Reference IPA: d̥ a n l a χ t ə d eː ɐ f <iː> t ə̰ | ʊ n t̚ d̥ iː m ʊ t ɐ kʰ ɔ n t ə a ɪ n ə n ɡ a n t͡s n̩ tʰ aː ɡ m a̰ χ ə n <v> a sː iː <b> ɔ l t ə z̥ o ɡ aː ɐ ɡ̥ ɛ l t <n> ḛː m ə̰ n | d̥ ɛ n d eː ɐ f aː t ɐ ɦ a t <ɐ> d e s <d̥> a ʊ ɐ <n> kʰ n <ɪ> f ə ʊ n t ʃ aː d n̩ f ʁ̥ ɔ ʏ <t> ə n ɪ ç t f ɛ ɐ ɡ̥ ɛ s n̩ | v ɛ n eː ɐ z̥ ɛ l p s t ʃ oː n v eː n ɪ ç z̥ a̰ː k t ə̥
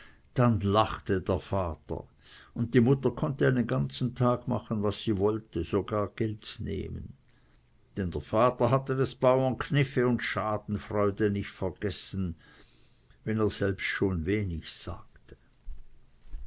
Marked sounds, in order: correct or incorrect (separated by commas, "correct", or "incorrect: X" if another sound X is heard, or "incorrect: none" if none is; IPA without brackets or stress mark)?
incorrect: aː, correct, incorrect: v, correct, incorrect: ə, incorrect: b̥, correct, correct, incorrect: d